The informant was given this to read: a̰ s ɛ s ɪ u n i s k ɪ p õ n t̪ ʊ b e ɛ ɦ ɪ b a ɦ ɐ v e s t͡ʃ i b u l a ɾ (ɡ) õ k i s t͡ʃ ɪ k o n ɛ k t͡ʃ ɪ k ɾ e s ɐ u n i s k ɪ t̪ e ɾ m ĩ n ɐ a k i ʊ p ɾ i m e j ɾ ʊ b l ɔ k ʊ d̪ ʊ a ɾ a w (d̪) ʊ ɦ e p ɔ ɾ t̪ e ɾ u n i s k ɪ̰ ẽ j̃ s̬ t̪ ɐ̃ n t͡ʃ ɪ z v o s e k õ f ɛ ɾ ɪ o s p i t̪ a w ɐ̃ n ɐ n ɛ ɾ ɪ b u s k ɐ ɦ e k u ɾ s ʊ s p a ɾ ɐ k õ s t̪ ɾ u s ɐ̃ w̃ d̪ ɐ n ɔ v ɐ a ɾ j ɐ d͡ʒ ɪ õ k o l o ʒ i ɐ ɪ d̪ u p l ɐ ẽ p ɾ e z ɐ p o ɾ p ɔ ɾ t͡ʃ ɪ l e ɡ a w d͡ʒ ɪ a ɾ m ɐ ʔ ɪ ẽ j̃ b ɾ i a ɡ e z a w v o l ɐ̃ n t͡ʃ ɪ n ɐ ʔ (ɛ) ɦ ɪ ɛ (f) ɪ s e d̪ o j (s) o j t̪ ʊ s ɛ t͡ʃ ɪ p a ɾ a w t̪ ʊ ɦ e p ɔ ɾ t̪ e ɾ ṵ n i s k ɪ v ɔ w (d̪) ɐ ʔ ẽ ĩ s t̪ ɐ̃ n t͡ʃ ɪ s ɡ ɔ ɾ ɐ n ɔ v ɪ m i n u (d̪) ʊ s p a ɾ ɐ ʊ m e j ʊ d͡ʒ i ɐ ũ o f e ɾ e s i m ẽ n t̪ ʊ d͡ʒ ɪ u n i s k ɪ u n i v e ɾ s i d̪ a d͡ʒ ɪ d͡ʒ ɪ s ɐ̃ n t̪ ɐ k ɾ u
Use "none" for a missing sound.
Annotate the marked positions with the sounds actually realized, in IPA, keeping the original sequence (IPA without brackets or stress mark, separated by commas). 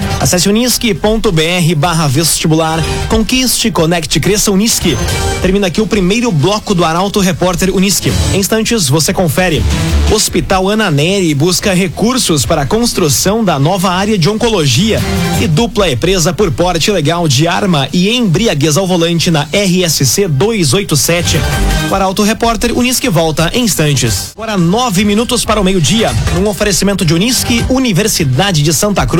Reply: k, t̪, ɛ, s, z, t̪, t̪